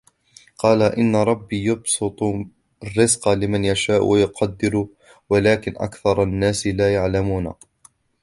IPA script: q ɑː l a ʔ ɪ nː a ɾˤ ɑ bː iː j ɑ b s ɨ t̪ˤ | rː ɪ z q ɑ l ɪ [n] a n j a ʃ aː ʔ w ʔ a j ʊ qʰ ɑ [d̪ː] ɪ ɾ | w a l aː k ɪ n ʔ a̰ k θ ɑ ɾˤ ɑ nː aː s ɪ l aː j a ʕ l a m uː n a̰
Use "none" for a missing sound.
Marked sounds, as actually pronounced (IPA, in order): m, d̪ː

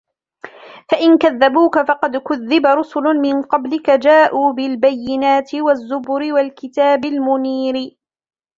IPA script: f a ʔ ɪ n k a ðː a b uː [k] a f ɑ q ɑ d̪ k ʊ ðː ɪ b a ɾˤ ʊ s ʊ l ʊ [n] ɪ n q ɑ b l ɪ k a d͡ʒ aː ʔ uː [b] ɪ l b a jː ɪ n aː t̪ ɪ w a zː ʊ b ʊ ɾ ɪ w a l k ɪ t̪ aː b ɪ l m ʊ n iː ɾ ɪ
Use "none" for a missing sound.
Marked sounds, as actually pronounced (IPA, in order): k, m, b

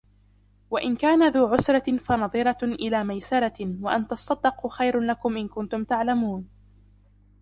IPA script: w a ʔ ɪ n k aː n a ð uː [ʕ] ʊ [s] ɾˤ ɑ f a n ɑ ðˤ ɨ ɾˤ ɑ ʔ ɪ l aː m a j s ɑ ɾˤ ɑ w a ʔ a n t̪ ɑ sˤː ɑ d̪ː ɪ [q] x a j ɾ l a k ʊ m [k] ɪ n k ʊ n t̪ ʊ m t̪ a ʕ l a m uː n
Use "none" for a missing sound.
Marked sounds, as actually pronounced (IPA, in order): ʕ, s, q, ʔ

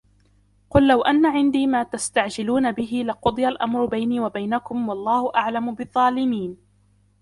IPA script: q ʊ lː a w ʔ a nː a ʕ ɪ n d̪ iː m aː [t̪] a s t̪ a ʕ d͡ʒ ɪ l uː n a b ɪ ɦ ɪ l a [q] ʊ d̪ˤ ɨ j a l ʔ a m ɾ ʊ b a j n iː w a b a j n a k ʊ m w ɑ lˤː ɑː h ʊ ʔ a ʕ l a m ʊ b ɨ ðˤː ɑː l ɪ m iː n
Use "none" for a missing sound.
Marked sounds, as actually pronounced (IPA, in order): t̪, q

